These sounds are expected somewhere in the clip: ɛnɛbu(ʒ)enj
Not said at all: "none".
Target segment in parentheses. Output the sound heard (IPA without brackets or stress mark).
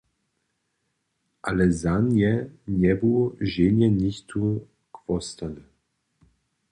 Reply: ʒ